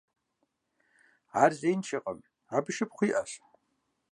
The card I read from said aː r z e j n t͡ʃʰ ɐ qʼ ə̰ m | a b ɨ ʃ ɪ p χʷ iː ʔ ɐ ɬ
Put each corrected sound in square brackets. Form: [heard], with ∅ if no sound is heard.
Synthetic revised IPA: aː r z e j n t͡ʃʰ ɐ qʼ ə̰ m | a b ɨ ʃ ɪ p χʷ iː ʔ ɐ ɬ